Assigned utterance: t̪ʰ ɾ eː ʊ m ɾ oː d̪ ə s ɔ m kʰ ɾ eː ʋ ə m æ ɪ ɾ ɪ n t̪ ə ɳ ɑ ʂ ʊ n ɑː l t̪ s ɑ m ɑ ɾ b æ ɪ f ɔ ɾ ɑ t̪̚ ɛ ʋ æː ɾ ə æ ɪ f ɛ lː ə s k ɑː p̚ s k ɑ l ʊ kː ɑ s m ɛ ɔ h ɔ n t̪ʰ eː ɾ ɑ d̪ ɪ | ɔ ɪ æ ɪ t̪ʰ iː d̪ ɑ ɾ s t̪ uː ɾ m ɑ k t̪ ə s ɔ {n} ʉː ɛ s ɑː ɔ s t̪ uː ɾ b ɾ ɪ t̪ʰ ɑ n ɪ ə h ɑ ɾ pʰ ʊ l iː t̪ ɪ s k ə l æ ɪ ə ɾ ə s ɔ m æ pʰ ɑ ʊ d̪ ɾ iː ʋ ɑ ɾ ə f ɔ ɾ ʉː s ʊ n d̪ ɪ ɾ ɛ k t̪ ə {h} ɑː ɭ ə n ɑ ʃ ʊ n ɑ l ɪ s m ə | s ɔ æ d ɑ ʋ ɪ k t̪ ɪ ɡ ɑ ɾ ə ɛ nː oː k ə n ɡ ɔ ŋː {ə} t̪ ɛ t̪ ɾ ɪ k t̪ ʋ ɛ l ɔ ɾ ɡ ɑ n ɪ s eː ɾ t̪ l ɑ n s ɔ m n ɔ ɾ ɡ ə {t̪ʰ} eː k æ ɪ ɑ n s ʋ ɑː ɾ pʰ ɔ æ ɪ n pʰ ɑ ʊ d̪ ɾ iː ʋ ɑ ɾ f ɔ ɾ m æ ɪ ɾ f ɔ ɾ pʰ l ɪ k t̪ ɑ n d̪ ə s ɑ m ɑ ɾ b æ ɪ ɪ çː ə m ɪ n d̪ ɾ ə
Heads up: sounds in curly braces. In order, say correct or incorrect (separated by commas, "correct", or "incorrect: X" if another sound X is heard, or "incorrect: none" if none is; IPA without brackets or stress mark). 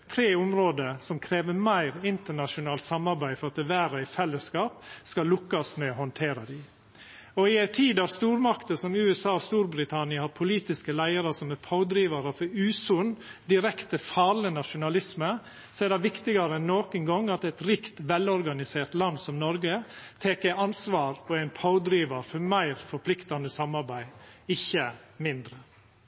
incorrect: m, incorrect: f, incorrect: ɑ, correct